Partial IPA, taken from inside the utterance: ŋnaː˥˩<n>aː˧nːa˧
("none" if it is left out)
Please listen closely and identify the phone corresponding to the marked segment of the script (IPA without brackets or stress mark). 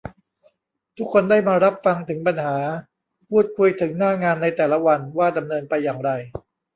ŋ